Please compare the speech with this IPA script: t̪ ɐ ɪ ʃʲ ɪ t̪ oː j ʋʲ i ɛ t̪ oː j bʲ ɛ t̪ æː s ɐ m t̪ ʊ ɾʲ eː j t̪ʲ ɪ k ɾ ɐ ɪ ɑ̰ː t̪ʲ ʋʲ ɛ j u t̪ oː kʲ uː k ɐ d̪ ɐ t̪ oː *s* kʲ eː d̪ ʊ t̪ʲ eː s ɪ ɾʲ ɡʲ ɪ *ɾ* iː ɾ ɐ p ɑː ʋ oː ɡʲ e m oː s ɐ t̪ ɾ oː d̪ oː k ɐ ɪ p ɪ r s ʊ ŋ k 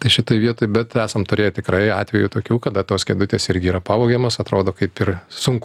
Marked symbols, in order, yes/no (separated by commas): yes, no